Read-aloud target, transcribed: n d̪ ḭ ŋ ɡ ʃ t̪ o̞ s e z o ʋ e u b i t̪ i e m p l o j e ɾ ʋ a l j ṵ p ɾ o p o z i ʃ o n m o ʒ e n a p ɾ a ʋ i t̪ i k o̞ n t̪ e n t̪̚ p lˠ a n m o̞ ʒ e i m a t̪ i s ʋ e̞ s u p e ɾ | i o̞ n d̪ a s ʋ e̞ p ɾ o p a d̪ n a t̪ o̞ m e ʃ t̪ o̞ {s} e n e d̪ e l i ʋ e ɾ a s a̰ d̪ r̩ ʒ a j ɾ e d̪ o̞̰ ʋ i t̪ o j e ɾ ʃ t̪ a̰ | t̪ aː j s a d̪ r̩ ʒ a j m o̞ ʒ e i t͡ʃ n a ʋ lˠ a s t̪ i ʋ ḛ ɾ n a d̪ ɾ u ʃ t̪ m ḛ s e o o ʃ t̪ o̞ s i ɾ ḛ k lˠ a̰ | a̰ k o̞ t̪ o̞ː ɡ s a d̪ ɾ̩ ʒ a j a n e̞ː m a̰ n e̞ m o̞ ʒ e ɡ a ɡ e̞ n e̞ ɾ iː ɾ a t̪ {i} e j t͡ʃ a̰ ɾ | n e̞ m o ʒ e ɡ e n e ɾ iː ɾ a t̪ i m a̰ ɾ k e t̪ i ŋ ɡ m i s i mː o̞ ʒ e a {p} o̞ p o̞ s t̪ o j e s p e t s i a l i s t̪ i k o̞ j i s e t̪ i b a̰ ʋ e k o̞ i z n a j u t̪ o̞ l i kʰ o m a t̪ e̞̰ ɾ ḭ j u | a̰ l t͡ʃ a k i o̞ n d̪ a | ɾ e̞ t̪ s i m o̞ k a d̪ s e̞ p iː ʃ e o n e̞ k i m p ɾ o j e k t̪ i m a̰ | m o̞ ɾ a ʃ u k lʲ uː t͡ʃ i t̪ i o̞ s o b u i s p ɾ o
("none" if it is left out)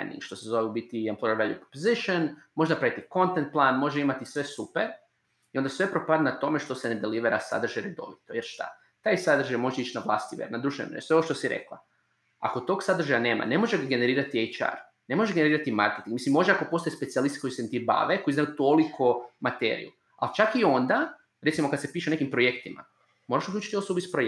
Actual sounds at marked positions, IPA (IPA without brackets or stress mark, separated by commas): s, i, k